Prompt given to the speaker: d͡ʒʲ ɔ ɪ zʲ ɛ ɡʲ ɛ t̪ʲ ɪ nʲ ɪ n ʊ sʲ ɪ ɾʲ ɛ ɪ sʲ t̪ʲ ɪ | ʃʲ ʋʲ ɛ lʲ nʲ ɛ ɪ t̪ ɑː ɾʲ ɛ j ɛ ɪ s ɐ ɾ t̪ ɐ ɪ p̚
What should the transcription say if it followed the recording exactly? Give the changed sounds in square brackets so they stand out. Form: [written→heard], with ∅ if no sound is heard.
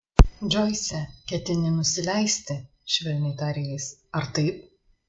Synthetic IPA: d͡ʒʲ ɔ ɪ [zʲ→sʲ] ɛ [ɡʲ→kʲ] ɛ t̪ʲ ɪ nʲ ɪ n ʊ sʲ ɪ [ɾʲ→lʲ] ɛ ɪ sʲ t̪ʲ ɪ | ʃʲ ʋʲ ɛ lʲ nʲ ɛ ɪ t̪ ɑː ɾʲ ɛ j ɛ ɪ s ɐ ɾ t̪ ɐ ɪ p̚

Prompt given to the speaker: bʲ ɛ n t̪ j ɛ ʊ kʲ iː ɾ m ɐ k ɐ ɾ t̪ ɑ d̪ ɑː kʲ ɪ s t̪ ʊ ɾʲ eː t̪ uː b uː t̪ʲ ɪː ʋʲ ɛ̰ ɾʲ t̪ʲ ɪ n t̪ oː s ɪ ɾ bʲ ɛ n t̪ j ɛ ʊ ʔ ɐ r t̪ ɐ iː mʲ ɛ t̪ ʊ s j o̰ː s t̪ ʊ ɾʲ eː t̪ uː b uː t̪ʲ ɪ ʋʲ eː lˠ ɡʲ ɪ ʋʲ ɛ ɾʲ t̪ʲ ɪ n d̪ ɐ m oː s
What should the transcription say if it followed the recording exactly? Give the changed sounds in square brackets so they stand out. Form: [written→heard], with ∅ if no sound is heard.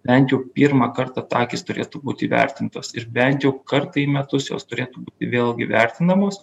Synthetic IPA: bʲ ɛ n t̪ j ɛ ʊ [kʲ→pʲ] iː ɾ m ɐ k ɐ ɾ t̪ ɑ [d̪→t̪] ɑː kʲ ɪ s t̪ ʊ ɾʲ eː t̪ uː b uː t̪ʲ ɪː ʋʲ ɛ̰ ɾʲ t̪ʲ ɪ n t̪ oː s ɪ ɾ bʲ ɛ n t̪ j ɛ ʊ [ʔ→k] ɐ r t̪ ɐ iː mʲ ɛ t̪ ʊ s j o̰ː s t̪ ʊ ɾʲ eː t̪ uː b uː t̪ʲ ɪ ʋʲ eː lˠ ɡʲ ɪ ʋʲ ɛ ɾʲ t̪ʲ ɪ n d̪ ɐ m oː s

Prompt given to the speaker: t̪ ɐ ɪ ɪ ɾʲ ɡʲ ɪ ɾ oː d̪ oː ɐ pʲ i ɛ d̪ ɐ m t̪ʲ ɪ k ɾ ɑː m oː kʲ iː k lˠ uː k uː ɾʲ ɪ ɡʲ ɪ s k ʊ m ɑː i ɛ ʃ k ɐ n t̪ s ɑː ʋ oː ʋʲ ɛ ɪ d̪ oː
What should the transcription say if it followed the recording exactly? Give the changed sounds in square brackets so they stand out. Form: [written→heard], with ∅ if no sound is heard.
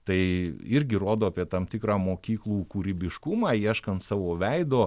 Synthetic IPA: t̪ ɐ ɪ ɪ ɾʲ ɡʲ ɪ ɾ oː d̪ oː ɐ pʲ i ɛ [d̪→t̪] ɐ m t̪ʲ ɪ k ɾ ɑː m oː kʲ iː k lˠ uː k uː ɾʲ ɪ [ɡʲ→bʲ] ɪ [s→ʃ] k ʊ m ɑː i ɛ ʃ k ɐ n t̪ s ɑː ʋ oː ʋʲ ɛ ɪ d̪ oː

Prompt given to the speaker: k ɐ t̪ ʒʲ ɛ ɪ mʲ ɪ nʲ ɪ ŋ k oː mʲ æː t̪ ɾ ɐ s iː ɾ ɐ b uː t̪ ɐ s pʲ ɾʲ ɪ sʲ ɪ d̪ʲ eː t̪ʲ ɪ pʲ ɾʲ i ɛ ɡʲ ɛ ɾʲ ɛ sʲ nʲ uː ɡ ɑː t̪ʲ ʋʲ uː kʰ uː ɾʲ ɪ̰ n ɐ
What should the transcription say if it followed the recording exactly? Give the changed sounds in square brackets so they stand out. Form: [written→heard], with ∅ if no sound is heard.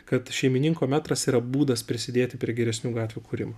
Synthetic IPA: k ɐ t̪ [ʒʲ→ʃʲ] ɛ ɪ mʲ ɪ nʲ ɪ ŋ k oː mʲ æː t̪ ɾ ɐ s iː ɾ ɐ b uː [t̪→d̪] ɐ s pʲ ɾʲ ɪ sʲ ɪ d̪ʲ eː t̪ʲ ɪ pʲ ɾʲ i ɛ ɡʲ ɛ ɾʲ ɛ sʲ nʲ uː ɡ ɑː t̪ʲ ʋʲ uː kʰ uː ɾʲ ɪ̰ [n→m] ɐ

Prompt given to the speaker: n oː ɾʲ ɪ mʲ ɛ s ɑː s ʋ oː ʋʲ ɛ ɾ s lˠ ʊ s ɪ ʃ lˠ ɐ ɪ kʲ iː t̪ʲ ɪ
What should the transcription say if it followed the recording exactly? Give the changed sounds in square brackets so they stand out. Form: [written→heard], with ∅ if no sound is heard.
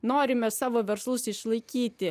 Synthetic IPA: n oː ɾʲ ɪ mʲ ɛ s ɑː [s→∅] ʋ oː ʋʲ ɛ ɾ s lˠ ʊ s ɪ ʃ lˠ ɐ ɪ kʲ iː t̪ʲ ɪ

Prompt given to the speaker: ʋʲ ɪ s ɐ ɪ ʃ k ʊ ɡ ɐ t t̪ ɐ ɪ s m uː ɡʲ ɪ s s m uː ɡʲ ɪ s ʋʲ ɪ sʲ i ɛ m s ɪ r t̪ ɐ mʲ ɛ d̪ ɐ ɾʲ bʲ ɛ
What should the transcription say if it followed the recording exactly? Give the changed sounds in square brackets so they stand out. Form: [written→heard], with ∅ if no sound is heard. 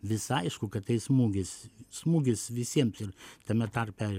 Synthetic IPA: ʋʲ ɪ s ɐ ɪ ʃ k ʊ [ɡ→k] ɐ t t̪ ɐ ɪ s m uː ɡʲ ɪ s s m uː ɡʲ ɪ s ʋʲ ɪ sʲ i ɛ m s ɪ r t̪ ɐ mʲ ɛ [d̪→t̪] ɐ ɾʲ [bʲ→pʲ] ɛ

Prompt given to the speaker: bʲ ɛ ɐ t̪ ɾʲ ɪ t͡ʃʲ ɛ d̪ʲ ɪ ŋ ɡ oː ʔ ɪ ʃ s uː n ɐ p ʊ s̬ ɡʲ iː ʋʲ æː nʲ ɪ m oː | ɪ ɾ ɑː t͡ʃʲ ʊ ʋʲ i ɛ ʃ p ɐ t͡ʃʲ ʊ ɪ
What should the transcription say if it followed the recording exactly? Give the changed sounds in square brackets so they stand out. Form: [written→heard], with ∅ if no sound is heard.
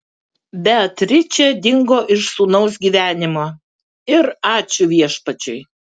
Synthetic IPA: bʲ ɛ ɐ t̪ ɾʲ ɪ t͡ʃʲ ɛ d̪ʲ ɪ ŋ ɡ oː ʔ ɪ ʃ s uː n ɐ [p→∅] ʊ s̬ ɡʲ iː ʋʲ æː nʲ ɪ m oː | ɪ ɾ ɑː t͡ʃʲ ʊ ʋʲ i ɛ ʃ p ɐ t͡ʃʲ ʊ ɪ

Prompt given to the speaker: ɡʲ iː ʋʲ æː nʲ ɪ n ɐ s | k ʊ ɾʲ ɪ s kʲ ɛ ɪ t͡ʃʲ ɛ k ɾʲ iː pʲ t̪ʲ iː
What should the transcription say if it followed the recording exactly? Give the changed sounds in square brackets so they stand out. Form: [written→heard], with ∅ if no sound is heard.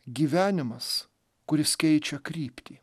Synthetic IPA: ɡʲ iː ʋʲ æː nʲ ɪ [n→m] ɐ s | k ʊ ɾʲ ɪ s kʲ ɛ ɪ t͡ʃʲ ɛ k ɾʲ iː pʲ t̪ʲ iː

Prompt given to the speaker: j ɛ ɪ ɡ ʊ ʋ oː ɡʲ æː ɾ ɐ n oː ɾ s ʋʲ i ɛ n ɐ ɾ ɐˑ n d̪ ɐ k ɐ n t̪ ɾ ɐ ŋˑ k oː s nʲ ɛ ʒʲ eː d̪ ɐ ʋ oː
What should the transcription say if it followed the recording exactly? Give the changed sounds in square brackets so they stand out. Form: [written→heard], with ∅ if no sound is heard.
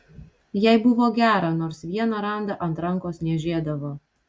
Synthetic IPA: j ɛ ɪ [ɡ→b] ʊ ʋ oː ɡʲ æː ɾ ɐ n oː ɾ s ʋʲ i ɛ n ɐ ɾ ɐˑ n d̪ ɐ [k→ʔ] ɐ n t̪ ɾ ɐ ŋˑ k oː s nʲ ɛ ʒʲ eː d̪ ɐ ʋ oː

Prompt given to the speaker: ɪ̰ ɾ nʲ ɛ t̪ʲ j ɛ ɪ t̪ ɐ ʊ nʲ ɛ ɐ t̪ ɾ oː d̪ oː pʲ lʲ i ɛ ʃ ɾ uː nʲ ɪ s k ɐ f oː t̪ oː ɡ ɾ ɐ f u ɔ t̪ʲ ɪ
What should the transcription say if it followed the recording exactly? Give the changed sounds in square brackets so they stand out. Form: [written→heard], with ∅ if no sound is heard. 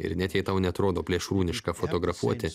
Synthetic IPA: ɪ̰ ɾ nʲ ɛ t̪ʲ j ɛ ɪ t̪ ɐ ʊ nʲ ɛ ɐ t̪ ɾ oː d̪ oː pʲ lʲ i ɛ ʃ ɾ uː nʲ ɪ [s→ʃ] k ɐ f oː t̪ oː ɡ ɾ ɐ f u ɔ t̪ʲ ɪ

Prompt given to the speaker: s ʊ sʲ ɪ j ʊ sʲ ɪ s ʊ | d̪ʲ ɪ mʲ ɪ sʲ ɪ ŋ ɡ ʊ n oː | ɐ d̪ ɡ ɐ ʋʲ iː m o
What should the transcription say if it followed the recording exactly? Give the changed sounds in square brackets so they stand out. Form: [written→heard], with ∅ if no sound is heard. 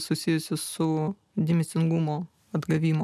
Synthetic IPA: s ʊ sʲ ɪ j ʊ sʲ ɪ s ʊ | d̪ʲ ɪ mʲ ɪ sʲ ɪ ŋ ɡ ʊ [n→m] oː | ɐ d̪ ɡ ɐ ʋʲ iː m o

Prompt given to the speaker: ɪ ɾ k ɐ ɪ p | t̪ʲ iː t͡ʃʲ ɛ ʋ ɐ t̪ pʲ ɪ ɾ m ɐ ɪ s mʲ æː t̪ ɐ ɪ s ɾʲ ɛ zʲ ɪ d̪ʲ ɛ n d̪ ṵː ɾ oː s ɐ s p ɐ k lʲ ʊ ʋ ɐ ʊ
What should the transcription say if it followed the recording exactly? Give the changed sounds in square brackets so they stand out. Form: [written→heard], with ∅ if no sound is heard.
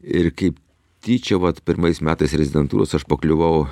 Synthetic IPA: ɪ ɾ k ɐ ɪ p | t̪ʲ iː t͡ʃʲ ɛ ʋ ɐ t̪ pʲ ɪ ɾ m ɐ ɪ s mʲ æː t̪ ɐ ɪ s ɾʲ ɛ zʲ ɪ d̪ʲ ɛ n [d̪→t̪] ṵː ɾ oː s ɐ [s→ʃ] p ɐ k lʲ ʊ ʋ ɐ ʊ

